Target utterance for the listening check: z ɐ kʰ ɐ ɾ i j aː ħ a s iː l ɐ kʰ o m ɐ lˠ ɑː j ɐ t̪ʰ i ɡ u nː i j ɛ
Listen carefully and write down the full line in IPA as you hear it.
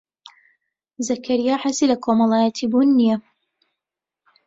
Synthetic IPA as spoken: z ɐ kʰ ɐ ɾ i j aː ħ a s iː l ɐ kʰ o m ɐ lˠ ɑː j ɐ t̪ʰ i b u nː i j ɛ